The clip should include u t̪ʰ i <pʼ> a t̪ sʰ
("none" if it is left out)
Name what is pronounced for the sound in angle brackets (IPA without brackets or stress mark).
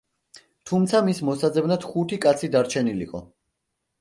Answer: kʼ